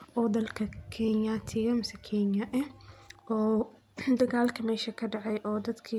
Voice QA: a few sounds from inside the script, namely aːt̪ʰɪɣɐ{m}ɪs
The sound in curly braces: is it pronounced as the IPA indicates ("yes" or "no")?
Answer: yes